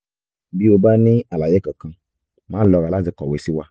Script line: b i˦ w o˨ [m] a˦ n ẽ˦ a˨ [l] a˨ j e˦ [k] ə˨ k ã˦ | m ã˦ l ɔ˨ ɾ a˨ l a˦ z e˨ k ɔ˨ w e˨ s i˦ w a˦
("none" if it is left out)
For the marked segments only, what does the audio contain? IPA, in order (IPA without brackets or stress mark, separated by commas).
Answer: b, l, k